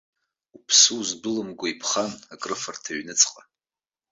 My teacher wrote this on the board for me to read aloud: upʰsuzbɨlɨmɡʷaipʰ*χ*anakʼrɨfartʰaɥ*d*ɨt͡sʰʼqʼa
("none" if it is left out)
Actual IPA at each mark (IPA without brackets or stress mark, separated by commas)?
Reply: χ, n